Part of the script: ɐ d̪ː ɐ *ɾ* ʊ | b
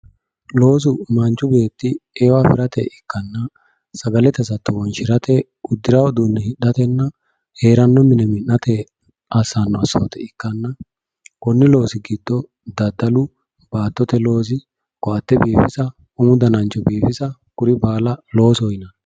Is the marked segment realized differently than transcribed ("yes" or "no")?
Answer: yes